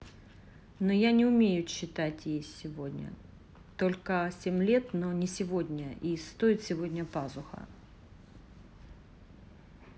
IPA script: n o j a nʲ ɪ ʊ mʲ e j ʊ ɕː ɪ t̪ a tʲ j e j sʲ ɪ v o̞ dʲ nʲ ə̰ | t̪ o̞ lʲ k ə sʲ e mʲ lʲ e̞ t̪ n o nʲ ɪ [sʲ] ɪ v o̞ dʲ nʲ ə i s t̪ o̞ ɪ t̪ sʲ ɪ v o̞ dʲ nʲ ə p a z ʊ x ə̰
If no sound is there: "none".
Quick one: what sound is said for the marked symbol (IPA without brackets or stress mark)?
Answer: sʲ